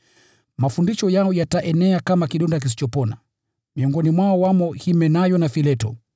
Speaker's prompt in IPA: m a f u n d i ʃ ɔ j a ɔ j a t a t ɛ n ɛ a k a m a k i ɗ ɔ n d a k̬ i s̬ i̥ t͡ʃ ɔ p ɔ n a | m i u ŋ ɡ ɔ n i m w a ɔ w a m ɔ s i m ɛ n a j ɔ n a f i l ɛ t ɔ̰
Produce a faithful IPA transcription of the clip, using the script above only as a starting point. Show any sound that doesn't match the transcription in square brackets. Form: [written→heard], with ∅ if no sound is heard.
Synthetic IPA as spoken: m a f u n d i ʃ ɔ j a ɔ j a t a [t→ʔ] ɛ n ɛ a k a m a k i ɗ ɔ n d a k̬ i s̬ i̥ t͡ʃ ɔ p ɔ n a | m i [u→ɔ] ŋ ɡ ɔ n i m w a ɔ w a m ɔ [s→h] i m ɛ n a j ɔ n a f i l ɛ t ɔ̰